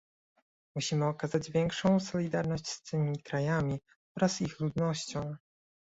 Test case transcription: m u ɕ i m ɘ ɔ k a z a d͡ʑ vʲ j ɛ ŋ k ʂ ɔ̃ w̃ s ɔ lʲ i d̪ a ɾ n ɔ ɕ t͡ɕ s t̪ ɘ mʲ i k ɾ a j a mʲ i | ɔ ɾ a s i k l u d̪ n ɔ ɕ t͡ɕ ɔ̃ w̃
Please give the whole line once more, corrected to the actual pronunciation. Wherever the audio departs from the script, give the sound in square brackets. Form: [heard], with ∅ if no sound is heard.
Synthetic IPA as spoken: m u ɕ i m ɘ ɔ k a z a d͡ʑ vʲ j ɛ ŋ k ʂ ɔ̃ w̃ s ɔ lʲ i d̪ a ɾ n ɔ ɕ t͡ɕ s t̪ ɘ mʲ i k ɾ a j a mʲ i | ɔ ɾ a s i [x] l u d̪ n ɔ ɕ t͡ɕ ɔ̃ w̃